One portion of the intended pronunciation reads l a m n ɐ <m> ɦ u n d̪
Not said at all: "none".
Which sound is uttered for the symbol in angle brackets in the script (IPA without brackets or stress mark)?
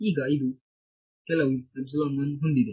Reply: n